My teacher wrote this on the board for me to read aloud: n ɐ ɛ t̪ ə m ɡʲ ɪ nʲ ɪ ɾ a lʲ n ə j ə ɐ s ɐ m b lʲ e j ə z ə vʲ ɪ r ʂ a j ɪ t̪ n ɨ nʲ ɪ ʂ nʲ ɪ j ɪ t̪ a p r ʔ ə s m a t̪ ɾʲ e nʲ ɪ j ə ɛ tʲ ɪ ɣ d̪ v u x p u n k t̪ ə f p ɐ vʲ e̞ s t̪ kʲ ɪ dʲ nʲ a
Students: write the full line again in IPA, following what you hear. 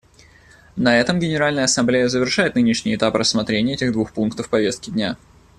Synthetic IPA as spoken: n ɐ ɛ t̪ ə m ɡʲ ɪ nʲ ɪ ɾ a lʲ n ə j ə ɐ s ɐ m b lʲ e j ə z ə vʲ ɪ r ʂ a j ɪ t̪ n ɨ nʲ ɪ ʂ nʲ ɪ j ɪ t̪ a p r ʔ ə s m ɐ t̪ ɾʲ e nʲ ɪ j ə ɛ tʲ ɪ ɣ d̪ v u x p u n k t̪ ə f p ɐ vʲ e̞ s t̪ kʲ ɪ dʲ nʲ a